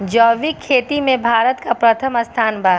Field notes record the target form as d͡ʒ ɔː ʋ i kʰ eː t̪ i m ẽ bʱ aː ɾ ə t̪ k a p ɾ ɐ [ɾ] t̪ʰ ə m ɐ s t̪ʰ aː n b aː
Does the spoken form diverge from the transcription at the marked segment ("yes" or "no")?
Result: yes